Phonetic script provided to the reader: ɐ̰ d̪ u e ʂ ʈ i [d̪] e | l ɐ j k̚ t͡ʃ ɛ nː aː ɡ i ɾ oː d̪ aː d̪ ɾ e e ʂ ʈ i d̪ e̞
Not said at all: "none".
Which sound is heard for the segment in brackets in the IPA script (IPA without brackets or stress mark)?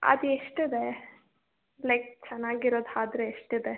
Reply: d̪